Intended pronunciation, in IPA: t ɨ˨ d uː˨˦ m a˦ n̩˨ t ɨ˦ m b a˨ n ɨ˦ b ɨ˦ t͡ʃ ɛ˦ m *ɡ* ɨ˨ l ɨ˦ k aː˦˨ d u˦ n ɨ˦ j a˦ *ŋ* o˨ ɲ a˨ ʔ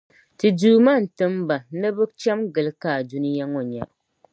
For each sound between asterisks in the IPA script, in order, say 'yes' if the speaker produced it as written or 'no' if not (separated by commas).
yes, yes